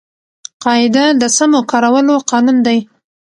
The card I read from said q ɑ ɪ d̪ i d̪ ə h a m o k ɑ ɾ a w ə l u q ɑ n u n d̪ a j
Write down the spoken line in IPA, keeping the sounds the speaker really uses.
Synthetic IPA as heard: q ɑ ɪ d̪ a d̪ ə s a m o k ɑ ɾ a w ə l o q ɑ n u n d̪ a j